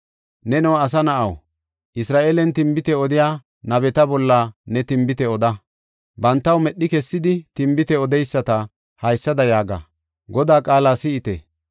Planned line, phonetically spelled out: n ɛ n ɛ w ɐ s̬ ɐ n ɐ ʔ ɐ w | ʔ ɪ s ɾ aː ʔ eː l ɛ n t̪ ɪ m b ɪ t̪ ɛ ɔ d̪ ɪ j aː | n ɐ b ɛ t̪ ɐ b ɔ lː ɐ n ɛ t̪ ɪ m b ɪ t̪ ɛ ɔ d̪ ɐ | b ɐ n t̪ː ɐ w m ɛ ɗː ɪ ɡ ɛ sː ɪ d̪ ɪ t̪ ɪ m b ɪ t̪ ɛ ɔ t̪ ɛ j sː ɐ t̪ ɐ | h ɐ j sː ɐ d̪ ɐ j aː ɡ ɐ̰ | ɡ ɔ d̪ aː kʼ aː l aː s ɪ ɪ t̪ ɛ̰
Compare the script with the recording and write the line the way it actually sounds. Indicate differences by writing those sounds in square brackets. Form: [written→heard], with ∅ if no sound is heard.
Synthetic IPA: n ɛ n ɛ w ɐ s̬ ɐ n ɐ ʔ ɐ w | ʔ ɪ s ɾ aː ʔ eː l ɛ n t̪ ɪ m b ɪ t̪ ɛ ɔ d̪ ɪ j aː | n ɐ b ɛ t̪ ɐ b ɔ lː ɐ n ɛ t̪ ɪ m b ɪ t̪ ɛ ɔ d̪ ɐ | b ɐ n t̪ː ɐ w m ɛ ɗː ɪ [ɡ→k] ɛ sː ɪ d̪ ɪ t̪ ɪ m b ɪ t̪ ɛ ɔ [t̪→d̪] ɛ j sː ɐ t̪ ɐ | h ɐ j sː ɐ d̪ ɐ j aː ɡ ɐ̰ | ɡ ɔ d̪ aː kʼ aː l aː s ɪ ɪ t̪ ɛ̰